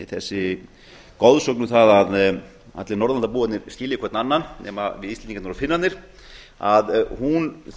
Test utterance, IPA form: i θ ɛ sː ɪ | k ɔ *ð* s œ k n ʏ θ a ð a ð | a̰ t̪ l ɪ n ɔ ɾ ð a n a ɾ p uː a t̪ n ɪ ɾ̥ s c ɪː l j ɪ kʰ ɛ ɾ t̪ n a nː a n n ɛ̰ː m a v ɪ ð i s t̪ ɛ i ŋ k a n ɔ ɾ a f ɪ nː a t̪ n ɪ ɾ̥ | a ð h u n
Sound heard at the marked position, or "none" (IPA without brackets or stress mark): ð